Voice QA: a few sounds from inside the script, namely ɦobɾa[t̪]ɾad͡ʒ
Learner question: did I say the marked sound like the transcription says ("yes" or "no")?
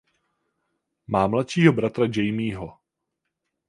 yes